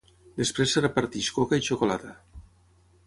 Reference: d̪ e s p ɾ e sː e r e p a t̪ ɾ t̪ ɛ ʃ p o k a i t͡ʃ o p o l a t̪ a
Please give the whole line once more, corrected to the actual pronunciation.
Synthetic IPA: d̪ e s p ɾ e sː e r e p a ɾ t̪ i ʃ k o k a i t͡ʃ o k o l a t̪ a